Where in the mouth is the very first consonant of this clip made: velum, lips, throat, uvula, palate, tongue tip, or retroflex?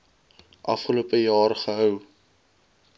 throat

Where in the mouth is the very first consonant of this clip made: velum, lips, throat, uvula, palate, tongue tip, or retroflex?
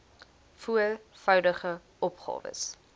lips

